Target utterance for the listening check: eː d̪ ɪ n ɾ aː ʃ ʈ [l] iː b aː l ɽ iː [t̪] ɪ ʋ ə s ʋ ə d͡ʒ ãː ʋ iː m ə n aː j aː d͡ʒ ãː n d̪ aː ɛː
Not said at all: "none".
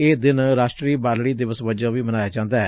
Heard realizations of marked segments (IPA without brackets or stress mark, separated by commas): ɾ, d̪